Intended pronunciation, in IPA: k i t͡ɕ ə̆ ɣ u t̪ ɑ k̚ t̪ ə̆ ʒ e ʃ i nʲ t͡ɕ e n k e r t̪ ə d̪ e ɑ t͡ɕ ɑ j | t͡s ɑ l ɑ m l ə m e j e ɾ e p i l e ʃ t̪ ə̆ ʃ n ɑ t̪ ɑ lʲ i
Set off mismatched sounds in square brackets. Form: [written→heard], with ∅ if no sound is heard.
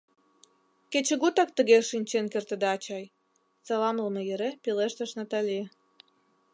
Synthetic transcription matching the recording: k [i→e] t͡ɕ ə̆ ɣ u t̪ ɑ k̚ t̪ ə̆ [ʒ→ɣ] e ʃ i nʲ t͡ɕ e n k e r t̪ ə d̪ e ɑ t͡ɕ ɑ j | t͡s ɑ l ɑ m l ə m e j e ɾ e p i l e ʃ t̪ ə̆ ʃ n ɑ t̪ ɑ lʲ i